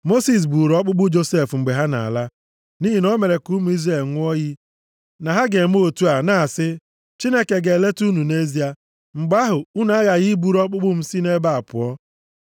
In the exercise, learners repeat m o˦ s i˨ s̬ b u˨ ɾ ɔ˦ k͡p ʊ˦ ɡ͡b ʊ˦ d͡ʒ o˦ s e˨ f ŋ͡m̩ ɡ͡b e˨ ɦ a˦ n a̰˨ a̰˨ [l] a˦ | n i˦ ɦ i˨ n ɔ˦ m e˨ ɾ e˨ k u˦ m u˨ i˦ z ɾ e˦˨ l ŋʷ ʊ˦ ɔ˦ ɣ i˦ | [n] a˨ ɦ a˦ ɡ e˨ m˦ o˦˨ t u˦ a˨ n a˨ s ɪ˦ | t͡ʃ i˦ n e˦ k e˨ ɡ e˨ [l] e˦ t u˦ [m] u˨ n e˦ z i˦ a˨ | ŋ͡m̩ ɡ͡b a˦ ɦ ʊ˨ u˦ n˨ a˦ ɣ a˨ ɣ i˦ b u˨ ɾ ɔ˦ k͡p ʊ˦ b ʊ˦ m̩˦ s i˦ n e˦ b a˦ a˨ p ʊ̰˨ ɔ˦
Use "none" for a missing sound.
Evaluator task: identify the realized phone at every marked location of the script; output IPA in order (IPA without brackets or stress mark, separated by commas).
l, n, l, n